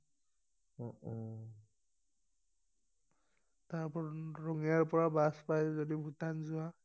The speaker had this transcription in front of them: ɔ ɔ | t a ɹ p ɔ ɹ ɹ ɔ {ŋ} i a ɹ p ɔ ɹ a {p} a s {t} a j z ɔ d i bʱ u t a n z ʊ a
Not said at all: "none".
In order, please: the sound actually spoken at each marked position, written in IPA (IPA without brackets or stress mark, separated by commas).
ŋ, b, p